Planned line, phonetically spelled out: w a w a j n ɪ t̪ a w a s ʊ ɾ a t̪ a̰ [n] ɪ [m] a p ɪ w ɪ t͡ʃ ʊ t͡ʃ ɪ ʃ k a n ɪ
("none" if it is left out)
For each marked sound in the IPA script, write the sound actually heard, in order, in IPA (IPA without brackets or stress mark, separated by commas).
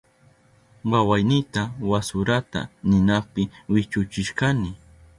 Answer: n, n